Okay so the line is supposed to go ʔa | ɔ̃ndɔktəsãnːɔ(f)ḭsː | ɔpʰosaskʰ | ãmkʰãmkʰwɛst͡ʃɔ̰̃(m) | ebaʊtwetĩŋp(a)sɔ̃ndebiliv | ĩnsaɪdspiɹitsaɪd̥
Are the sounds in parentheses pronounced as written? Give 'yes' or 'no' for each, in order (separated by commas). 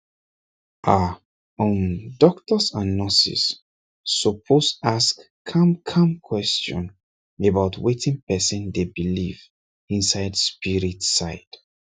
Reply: no, no, no